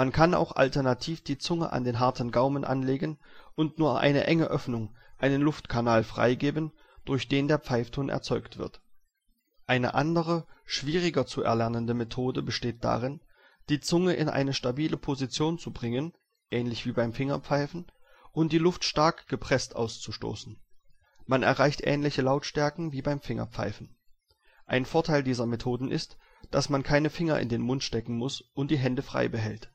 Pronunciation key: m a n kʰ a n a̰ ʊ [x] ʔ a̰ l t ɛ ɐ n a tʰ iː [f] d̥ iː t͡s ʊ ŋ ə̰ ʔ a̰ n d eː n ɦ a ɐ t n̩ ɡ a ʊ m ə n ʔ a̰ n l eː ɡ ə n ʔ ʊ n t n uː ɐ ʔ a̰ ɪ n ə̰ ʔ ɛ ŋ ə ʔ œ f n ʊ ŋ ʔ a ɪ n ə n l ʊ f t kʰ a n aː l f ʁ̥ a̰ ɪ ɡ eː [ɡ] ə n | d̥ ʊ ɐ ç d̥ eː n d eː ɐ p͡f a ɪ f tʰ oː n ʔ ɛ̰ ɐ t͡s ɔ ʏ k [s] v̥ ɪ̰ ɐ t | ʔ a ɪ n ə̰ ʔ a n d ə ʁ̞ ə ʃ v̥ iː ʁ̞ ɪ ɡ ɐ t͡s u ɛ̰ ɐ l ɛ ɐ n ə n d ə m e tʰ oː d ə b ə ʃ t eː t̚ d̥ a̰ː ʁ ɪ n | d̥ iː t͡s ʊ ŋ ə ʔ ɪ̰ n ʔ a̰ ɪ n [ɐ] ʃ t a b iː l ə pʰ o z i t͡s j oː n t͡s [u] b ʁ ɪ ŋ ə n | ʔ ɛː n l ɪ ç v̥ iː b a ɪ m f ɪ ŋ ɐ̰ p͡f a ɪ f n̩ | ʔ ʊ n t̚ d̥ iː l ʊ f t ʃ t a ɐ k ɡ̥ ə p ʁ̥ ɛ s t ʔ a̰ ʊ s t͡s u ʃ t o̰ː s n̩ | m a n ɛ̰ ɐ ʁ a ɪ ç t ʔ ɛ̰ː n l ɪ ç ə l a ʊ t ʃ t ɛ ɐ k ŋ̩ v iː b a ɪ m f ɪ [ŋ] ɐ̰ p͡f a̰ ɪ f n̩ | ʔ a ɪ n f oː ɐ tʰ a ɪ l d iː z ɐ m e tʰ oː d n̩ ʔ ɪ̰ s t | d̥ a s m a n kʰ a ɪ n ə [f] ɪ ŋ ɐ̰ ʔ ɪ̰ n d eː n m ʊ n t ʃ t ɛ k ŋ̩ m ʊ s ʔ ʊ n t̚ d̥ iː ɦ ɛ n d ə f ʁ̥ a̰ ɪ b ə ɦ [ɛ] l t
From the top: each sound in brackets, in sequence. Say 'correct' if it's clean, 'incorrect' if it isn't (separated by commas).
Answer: correct, correct, incorrect, incorrect, incorrect, correct, correct, correct, correct